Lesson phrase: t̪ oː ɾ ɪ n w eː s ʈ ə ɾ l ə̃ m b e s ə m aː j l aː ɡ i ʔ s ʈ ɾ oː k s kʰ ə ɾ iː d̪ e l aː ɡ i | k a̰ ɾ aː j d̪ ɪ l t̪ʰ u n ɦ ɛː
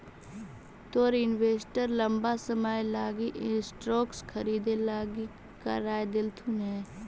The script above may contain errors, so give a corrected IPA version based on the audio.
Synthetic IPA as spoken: t̪ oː ɾ ɪ n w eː s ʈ ə ɾ l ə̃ m b a s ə m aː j l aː ɡ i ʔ s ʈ ɾ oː k s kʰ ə ɾ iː d̪ e l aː ɡ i | k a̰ ɾ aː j d̪ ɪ l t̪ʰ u n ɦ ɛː